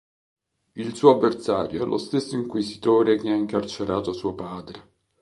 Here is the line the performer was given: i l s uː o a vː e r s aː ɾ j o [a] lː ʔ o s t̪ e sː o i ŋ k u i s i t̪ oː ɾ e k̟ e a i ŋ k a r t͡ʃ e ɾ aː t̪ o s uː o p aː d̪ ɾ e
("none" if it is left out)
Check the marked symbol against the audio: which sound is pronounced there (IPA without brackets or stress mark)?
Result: ɛ